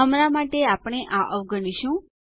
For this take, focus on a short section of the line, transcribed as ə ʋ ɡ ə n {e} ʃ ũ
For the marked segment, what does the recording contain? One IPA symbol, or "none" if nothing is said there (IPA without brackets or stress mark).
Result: i